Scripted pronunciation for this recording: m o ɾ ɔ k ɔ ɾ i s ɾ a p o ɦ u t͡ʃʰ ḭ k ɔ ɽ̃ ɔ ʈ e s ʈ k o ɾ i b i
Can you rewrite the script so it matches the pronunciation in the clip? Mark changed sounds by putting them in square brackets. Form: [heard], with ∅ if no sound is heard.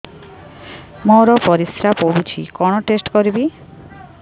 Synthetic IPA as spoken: m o ɾ ɔ [p] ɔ ɾ i s ɾ a p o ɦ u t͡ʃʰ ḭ k ɔ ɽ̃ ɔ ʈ e s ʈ k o ɾ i b i